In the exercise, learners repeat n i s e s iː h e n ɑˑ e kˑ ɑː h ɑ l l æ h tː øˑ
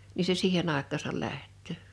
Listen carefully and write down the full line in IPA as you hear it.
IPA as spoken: n i s e s iː h e n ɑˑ e kˑ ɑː s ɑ l l æ h tː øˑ